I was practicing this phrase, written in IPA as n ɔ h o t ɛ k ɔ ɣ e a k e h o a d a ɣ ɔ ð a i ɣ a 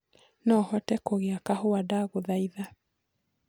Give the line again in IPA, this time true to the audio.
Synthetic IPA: n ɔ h ɔ t ɛ k o ɣ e a k a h o a d a ɣ o ð a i ð a